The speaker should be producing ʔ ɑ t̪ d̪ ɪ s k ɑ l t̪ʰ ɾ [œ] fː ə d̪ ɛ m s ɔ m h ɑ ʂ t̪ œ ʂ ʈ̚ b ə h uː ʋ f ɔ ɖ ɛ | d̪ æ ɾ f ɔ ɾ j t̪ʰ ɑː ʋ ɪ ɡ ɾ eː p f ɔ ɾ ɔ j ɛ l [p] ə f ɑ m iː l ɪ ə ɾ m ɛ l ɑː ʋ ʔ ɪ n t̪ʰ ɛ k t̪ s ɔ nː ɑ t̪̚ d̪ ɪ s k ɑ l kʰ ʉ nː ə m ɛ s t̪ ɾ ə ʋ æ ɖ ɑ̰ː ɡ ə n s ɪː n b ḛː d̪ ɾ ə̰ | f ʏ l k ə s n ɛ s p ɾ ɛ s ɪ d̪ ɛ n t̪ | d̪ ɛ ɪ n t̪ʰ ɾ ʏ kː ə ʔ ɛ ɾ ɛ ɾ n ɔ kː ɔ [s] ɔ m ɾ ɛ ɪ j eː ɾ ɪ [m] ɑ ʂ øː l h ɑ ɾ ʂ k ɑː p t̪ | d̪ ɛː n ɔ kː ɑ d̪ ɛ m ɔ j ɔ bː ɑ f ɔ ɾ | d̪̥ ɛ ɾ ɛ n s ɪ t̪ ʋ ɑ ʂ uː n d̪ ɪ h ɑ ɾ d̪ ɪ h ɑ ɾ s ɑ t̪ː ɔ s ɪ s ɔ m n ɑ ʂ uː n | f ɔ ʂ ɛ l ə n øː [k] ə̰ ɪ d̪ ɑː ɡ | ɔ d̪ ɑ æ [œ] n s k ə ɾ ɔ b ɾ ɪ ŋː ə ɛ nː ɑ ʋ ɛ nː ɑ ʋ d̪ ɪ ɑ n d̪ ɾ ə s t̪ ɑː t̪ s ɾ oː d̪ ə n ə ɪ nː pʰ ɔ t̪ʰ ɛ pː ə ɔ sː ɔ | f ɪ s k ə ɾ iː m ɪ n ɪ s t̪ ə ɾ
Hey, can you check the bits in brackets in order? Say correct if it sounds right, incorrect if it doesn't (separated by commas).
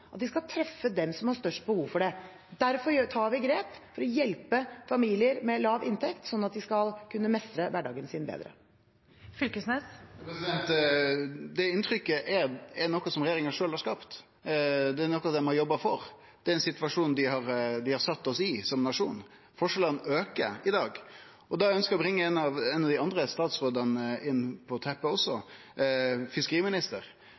incorrect, correct, correct, incorrect, correct, correct